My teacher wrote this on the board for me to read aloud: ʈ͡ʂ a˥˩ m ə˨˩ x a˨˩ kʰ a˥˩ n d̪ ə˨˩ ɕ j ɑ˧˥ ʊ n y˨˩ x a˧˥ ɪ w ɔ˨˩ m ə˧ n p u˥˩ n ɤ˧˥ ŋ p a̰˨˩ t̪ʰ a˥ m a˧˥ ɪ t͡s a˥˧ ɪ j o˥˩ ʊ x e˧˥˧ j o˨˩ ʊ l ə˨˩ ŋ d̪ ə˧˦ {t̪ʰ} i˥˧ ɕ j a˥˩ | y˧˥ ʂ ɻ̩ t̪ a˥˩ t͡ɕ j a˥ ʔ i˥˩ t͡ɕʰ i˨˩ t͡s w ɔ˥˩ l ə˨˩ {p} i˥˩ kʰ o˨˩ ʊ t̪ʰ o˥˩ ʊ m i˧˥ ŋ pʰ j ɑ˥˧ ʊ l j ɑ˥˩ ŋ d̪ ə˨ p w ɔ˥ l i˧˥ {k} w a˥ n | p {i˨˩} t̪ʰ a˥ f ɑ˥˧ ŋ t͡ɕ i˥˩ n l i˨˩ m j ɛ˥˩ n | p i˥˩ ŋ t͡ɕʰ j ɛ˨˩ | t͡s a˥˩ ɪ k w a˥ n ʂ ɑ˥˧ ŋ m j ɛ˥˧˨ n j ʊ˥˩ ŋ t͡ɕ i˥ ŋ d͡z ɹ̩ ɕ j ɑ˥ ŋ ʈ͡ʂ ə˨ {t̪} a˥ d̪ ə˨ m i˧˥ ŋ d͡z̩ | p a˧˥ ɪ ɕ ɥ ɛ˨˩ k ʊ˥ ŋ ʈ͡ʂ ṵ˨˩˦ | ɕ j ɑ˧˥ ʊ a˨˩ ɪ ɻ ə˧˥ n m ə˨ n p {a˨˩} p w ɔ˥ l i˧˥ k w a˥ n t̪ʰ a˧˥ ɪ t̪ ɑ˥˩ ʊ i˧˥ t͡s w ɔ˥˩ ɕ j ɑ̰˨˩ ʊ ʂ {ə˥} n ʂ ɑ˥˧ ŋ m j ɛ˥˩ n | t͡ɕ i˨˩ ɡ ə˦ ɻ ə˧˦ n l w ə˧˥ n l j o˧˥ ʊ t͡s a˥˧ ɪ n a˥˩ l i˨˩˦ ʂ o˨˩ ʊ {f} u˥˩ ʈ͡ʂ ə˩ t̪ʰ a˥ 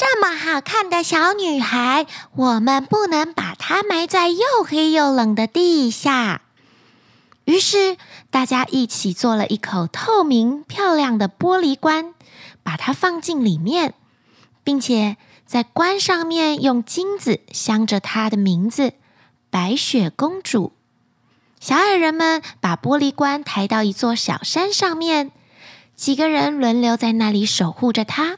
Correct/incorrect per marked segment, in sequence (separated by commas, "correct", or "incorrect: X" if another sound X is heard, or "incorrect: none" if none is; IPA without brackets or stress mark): incorrect: t̪, incorrect: ʔ, correct, incorrect: a˨˩, incorrect: t̪ʰ, correct, incorrect: a˥, incorrect: x